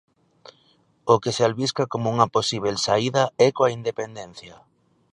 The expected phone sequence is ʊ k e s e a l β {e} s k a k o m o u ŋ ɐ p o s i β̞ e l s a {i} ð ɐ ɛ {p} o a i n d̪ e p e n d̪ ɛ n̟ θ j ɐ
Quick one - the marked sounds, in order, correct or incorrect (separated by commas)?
incorrect, correct, incorrect